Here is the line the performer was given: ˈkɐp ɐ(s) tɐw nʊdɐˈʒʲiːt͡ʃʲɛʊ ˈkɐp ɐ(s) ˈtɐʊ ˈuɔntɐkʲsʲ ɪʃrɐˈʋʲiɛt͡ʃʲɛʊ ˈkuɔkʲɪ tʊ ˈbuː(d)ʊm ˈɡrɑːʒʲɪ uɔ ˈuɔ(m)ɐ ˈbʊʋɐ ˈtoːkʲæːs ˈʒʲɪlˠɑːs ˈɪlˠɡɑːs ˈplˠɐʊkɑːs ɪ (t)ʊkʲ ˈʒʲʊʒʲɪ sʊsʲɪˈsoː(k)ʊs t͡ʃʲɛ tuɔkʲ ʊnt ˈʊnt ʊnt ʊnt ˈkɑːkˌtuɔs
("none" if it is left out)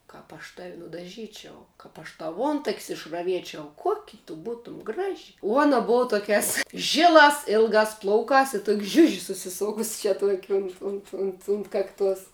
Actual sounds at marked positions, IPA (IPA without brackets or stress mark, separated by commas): ʃ, ʃ, t, n, t, k